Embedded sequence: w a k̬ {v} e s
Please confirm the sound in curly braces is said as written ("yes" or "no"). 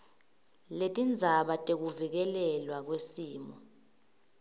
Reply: no